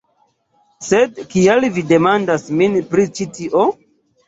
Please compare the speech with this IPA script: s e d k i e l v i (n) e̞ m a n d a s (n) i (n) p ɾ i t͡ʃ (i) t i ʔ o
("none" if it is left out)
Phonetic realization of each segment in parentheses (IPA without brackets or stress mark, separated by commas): d, m, n, i